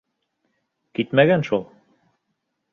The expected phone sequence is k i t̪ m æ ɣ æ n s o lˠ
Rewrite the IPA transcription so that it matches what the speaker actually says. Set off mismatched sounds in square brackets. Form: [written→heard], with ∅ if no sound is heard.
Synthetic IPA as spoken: k i t̪ m æ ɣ æ n [s→ʃ] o lˠ